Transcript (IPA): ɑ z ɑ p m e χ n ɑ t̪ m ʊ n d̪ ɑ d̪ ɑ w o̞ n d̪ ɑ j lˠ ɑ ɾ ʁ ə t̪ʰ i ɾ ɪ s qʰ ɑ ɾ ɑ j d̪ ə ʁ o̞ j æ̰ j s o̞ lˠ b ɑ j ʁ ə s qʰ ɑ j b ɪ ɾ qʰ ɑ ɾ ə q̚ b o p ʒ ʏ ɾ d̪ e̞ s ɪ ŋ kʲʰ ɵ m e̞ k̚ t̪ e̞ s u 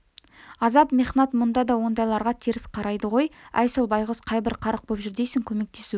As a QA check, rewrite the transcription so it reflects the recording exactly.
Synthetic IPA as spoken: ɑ z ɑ p m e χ n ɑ t̪ m ʊ n d̪ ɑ d̪ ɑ w o̞ n d̪ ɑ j lˠ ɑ ɾ ʁ ɑ t̪ʰ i ɾ ɪ s qʰ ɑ ɾ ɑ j d̪ ə ʁ o̞ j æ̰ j s o̞ lˠ b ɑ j ʁ ə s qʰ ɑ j b ɪ ɾ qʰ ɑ ɾ ə q̚ b o p ʒ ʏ ɾ d̪ e̞ s ɪ ŋ kʲʰ ɵ m e̞ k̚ t̪ e̞ s u